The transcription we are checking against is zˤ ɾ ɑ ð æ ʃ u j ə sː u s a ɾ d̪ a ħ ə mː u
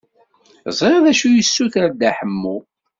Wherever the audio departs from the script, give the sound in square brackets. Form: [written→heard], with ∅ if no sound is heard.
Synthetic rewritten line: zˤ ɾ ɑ ð æ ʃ u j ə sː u [s→θ] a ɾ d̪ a ħ ə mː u